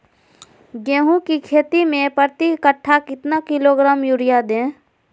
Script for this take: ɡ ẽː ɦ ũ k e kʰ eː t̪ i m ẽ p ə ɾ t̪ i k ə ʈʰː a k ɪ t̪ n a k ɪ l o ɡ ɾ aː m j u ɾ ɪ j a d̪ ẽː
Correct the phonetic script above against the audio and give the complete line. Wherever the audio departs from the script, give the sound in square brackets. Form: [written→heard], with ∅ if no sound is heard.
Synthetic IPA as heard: ɡ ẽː ɦ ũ k [e→i] kʰ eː t̪ i m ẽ p ə ɾ t̪ i k ə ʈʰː a k ɪ t̪ n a k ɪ l o ɡ ɾ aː m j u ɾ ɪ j a d̪ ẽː